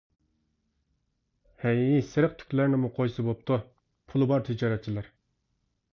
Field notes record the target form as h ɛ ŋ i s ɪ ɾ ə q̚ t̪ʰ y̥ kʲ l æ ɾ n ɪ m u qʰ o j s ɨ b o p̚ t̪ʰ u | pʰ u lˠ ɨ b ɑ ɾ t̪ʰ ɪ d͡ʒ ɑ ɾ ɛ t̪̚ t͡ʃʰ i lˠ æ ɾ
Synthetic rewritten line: h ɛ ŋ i s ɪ ɾ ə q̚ t̪ʰ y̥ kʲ l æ ɾ n ɪ m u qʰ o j s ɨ b o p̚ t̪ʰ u | pʰ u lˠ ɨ b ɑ ɾ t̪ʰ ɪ d͡ʒ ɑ ɾ ɛ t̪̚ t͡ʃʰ i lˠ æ ɾ